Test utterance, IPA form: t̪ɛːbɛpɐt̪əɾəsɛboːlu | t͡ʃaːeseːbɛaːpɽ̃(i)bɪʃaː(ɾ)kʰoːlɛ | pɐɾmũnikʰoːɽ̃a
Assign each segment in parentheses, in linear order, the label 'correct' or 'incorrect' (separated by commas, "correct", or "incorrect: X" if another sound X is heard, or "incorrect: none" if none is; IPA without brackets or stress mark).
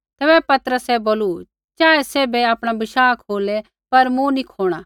incorrect: a, incorrect: none